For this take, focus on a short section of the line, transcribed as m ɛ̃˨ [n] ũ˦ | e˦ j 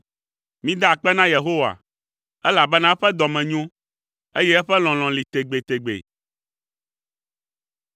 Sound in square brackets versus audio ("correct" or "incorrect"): incorrect